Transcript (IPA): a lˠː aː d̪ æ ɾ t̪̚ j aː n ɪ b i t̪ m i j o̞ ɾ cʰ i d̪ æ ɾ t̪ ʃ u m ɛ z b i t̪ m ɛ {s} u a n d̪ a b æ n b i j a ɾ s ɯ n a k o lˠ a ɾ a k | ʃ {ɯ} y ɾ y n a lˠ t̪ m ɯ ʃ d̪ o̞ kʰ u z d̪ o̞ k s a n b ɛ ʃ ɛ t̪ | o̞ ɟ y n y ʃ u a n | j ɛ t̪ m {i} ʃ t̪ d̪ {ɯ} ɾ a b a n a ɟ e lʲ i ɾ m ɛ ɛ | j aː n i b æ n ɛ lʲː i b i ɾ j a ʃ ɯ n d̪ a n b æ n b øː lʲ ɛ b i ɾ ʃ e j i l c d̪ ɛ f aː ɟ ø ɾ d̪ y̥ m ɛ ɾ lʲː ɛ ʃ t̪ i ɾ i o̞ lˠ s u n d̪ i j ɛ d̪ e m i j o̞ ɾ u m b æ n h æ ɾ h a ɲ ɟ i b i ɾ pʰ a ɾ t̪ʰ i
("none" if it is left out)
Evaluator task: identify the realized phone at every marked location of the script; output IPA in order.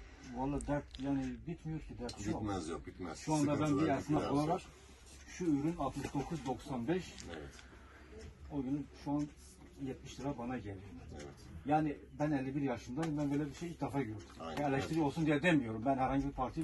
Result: ʃ, u, i, ɯ

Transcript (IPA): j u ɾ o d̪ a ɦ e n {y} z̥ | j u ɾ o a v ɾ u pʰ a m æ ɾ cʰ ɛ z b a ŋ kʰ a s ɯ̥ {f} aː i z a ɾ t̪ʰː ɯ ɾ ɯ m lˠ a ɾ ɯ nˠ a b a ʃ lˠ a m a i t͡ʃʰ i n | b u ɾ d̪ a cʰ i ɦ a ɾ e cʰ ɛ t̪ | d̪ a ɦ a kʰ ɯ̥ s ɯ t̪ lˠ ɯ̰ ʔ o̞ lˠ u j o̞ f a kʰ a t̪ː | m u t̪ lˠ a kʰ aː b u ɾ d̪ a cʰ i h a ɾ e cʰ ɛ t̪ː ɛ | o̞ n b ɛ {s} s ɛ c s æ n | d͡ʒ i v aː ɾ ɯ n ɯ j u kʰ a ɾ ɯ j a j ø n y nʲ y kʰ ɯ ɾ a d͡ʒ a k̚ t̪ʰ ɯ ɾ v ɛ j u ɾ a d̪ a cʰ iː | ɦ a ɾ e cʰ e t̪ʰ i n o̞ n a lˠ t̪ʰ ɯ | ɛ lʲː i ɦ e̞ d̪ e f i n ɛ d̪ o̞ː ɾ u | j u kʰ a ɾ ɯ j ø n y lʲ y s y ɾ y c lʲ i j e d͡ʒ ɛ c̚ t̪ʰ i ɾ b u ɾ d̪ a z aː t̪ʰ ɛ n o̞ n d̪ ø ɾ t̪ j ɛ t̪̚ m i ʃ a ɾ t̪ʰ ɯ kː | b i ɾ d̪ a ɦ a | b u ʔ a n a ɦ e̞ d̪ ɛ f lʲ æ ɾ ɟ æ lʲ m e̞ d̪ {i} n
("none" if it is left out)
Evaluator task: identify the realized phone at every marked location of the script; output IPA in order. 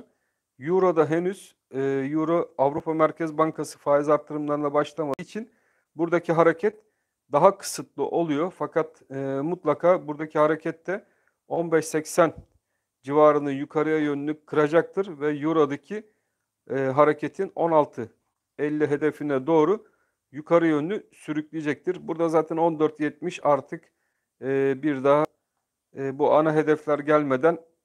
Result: y, f, ʃ, æ

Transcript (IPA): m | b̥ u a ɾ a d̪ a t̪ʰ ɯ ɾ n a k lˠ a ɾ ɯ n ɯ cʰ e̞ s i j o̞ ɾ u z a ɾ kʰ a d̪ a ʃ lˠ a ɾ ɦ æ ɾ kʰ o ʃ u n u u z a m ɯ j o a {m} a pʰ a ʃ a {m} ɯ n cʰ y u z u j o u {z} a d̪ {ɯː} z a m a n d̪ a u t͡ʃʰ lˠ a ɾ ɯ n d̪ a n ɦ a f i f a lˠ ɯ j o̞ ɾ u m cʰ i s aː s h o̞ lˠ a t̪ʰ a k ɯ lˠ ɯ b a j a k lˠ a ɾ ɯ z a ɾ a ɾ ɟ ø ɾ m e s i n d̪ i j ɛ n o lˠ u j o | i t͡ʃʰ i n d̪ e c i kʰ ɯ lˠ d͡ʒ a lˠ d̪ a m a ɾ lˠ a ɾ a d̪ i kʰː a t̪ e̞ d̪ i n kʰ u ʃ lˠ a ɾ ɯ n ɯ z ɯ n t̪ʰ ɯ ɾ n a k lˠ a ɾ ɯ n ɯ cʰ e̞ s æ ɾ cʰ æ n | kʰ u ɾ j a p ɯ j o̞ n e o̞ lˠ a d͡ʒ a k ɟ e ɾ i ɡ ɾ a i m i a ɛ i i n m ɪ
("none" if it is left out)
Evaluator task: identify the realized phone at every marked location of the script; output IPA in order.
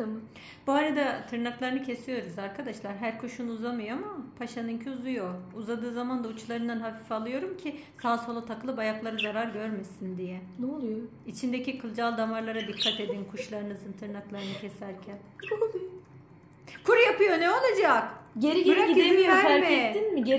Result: m, n, z, ɯː

